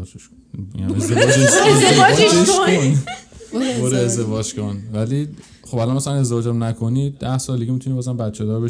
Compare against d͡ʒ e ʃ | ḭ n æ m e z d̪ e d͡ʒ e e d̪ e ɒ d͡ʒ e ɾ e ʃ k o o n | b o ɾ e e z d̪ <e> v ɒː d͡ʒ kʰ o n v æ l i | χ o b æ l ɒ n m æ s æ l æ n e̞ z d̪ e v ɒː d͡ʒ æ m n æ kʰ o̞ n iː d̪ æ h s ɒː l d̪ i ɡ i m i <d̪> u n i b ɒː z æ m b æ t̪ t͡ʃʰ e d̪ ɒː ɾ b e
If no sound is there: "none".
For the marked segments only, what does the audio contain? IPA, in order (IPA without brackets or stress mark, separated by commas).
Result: e, t̪